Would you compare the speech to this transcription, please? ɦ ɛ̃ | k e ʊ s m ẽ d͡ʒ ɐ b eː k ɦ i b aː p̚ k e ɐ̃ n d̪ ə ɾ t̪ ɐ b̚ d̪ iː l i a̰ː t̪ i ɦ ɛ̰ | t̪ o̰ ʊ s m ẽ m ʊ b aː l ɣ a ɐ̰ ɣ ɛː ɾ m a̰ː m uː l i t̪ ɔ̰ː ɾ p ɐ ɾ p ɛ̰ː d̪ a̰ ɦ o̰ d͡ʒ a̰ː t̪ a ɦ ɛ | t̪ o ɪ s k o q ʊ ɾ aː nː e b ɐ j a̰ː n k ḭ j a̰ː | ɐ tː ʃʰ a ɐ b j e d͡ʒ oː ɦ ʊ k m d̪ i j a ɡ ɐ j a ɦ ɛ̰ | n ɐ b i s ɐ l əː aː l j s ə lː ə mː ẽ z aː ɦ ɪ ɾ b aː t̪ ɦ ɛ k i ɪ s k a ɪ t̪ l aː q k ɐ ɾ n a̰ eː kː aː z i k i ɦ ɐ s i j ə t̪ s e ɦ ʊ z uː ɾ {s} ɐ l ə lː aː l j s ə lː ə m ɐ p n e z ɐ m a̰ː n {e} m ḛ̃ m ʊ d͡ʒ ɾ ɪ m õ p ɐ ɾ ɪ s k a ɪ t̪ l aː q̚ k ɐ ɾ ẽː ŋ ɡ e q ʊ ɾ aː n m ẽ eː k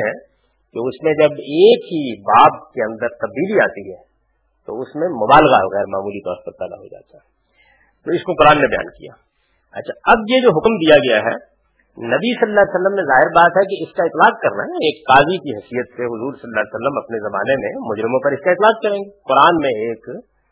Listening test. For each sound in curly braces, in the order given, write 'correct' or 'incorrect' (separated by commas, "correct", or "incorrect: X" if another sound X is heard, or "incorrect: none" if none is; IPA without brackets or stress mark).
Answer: correct, correct